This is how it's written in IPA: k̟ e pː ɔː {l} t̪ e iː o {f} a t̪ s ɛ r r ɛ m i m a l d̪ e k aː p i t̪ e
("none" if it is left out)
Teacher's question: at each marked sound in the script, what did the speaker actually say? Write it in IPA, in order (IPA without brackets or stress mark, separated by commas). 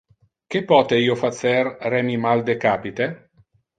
none, f